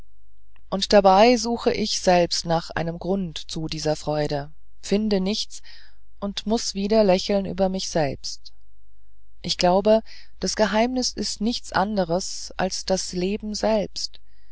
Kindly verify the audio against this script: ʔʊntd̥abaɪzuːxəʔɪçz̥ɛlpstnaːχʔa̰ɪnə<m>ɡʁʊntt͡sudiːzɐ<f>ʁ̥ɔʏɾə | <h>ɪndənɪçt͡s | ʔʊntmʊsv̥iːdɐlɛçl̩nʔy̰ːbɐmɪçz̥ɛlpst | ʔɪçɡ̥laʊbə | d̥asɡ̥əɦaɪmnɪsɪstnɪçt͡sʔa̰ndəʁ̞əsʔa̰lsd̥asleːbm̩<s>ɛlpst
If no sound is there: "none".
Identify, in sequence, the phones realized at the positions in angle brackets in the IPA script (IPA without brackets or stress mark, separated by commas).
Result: m, f, f, z